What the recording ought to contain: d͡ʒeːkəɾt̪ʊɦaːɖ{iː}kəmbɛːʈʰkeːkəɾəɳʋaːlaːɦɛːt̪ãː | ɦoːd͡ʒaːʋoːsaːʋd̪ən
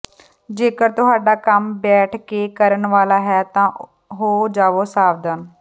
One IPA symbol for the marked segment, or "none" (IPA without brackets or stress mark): aː